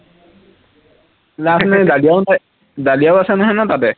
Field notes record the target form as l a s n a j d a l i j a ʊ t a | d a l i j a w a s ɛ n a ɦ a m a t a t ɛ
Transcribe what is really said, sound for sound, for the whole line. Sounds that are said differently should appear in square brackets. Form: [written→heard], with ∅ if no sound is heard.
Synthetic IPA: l a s n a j d a l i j a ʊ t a | d a l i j a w a s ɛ n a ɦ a [m→n] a t a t ɛ

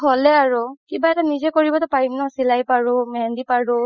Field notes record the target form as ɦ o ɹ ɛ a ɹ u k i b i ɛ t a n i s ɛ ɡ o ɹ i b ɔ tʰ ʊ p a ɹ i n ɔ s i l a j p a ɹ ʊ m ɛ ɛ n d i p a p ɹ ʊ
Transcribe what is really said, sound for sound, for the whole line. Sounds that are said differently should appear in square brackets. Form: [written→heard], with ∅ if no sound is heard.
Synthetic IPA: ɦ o [ɹ→l] ɛ a ɹ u k i b [i→a] ɛ t a n i [s→z] ɛ [ɡ→k] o ɹ i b ɔ [tʰ→t] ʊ p a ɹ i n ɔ s i l a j p a ɹ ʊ m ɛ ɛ n d i p a [p→∅] ɹ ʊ

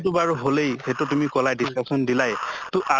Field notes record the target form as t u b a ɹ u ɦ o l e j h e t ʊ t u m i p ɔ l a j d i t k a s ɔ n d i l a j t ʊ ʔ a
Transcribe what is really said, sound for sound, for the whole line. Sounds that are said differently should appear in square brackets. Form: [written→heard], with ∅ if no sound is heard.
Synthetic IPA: t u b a ɹ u ɦ o l e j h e t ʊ t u m i [p→k] ɔ l a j d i [t→s] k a s ɔ n d i l a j t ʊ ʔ a

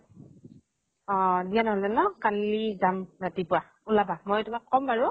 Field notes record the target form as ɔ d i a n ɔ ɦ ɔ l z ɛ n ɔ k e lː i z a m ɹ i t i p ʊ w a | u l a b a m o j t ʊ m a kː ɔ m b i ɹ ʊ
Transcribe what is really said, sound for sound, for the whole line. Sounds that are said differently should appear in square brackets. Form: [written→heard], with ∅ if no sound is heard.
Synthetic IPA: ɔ d i a n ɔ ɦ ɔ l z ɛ n ɔ k [e→a] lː i z a m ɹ [i→a] t i p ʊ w a | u l a b a m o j t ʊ m a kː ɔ m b [i→a] ɹ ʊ

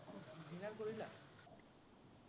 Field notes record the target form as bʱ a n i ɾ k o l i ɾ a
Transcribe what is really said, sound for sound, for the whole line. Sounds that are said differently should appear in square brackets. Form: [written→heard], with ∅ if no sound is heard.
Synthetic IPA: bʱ [a→i] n [i→a] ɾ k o [l→ɾ] i [ɾ→l] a

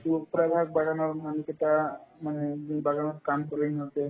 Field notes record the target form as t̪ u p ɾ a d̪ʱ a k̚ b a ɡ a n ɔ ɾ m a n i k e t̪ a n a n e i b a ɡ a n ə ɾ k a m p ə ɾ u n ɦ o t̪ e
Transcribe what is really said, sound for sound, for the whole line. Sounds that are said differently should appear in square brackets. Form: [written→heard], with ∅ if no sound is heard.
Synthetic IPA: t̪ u p ɾ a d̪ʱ a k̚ b a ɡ a n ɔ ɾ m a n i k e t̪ a [n→m] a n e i b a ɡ a n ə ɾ k a m [p→k] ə ɾ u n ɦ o t̪ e

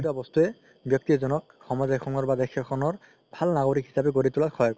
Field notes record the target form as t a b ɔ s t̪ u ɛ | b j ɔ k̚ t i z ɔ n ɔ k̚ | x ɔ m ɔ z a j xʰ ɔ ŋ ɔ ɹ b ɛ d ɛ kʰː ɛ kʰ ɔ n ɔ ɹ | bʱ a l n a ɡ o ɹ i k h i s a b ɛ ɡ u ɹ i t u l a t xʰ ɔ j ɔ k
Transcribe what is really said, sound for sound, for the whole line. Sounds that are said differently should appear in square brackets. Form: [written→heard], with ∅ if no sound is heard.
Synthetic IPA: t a b ɔ s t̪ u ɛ | b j ɔ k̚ t i z ɔ n ɔ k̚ | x ɔ m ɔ z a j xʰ ɔ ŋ ɔ ɹ b [ɛ→a] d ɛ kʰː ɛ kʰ ɔ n ɔ ɹ | bʱ a l n a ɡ o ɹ i k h i s a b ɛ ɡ [u→o] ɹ i t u l a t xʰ ɔ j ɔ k

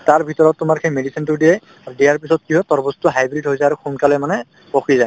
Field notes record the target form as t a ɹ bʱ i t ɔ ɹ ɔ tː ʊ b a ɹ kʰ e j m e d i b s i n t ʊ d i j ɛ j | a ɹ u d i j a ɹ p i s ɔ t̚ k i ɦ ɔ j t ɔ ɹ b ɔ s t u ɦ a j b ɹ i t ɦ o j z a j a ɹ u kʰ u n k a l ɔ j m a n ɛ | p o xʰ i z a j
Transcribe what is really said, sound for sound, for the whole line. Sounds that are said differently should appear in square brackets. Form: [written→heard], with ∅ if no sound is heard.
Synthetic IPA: t a ɹ bʱ i t ɔ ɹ ɔ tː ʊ [b→m] a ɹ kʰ e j m e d i [b→∅] s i n t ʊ d i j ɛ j | a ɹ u d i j a ɹ p i s ɔ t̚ k i ɦ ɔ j t ɔ ɹ b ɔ s t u ɦ a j b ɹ i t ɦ o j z a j a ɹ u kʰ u n k a l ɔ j m a n ɛ | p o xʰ i z a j

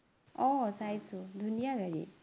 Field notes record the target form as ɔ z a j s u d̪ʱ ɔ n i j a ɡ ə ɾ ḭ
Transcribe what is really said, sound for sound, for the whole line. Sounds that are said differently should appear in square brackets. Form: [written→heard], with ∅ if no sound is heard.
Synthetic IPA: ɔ [z→s] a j s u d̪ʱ [ɔ→u] n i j a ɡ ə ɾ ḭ

